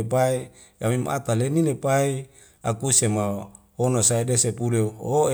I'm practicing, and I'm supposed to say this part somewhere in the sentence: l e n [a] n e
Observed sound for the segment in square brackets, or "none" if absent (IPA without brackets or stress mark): i